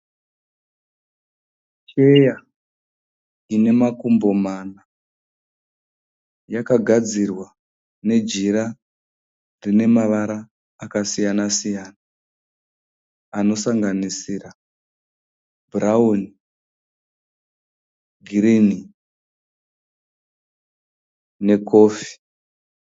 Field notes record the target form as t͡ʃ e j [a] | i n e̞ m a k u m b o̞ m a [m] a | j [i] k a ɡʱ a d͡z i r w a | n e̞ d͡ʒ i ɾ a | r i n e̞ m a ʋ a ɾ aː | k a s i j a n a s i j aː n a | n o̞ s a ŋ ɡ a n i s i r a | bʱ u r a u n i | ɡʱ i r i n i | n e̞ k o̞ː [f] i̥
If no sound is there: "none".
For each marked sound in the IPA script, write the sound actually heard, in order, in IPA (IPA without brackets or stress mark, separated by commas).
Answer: a, n, a, f